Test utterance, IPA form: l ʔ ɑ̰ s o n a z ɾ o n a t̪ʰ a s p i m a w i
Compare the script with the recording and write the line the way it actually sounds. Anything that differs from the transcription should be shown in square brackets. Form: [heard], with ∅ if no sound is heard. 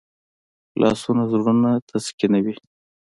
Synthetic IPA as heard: l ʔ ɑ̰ s [u] n a z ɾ [u] n a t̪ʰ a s [k] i [n] a w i